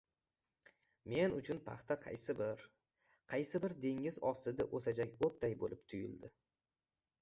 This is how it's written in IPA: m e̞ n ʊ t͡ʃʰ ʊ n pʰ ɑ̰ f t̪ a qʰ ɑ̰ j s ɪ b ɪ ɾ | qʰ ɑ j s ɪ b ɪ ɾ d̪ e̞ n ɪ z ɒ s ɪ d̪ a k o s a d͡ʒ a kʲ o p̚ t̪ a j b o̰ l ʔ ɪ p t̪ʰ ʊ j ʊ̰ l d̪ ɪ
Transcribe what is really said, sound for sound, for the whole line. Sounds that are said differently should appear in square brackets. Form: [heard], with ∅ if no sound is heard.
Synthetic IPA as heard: m e̞ n ʊ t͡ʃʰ ʊ n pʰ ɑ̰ [χ] t̪ a qʰ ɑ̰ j s ɪ b ɪ ɾ | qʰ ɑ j s ɪ b ɪ ɾ d̪ e̞ [ŋ] ɪ z ɒ s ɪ d̪ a [ʔ] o s a d͡ʒ a kʲ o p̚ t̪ a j b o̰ l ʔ ɪ p t̪ʰ ʊ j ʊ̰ l d̪ ɪ